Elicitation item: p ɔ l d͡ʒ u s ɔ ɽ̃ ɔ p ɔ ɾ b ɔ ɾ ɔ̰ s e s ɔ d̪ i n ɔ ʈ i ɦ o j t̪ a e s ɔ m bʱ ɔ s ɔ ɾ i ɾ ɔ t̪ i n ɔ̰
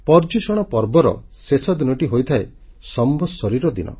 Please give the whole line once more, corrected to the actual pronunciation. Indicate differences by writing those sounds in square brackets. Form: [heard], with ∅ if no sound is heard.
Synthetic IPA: p ɔ [ɾ] d͡ʒ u s ɔ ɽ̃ ɔ p ɔ ɾ b ɔ ɾ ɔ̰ s e s ɔ d̪ i n ɔ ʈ i ɦ o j [t̪ʰ] a e s ɔ m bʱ ɔ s ɔ ɾ i ɾ ɔ [d̪] i n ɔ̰